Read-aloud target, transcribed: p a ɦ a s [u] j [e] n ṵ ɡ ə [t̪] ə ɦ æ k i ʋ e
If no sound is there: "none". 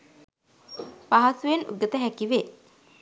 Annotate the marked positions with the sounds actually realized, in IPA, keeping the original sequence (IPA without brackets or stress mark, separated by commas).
u, e, t̪